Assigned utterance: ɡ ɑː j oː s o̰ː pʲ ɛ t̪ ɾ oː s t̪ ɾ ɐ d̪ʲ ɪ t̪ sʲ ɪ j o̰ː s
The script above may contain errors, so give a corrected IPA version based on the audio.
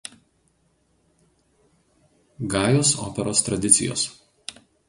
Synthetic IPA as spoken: ɡ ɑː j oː s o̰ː pʲ ɛ ɾ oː s t̪ ɾ ɐ d̪ʲ ɪ t̪ sʲ ɪ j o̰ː s